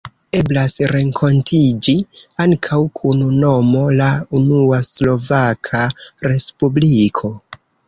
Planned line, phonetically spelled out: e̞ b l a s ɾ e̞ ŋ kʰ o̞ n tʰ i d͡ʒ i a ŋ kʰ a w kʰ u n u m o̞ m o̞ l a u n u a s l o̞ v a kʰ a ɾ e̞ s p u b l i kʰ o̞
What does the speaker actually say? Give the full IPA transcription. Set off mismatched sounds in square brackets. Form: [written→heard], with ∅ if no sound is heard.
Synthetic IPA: e̞ b l a s ɾ e̞ ŋ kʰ o̞ n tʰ i d͡ʒ i a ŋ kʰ a w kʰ u n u [m→n] o̞ m o̞ l a u n u a s l o̞ v a kʰ a ɾ e̞ s p u b l i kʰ o̞